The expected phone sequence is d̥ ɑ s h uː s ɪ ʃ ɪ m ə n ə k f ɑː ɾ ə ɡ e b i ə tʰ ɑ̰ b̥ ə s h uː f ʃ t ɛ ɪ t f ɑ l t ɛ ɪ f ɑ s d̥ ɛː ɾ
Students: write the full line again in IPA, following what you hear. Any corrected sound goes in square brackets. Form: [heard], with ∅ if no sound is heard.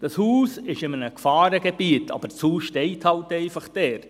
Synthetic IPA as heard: d̥ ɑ s h uː s ɪ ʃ ɪ m ə n ə k f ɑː ɾ ə ɡ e b i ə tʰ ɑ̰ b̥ ə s h uː [s] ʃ t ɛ ɪ t [h] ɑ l t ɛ ɪ f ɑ [χ] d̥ ɛː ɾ